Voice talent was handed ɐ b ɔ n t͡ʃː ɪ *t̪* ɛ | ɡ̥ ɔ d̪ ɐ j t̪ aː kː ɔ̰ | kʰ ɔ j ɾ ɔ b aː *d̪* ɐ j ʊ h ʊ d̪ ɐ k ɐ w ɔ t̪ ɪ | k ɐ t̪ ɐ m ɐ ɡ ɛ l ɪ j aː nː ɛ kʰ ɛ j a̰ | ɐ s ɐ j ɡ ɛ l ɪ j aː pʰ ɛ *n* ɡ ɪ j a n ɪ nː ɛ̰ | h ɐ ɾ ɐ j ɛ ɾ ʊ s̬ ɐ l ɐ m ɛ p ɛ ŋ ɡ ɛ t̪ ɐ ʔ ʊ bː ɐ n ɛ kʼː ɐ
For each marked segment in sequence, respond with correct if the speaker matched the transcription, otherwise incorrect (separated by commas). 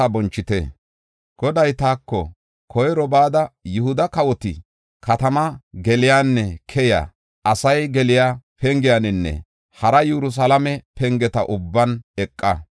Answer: correct, correct, incorrect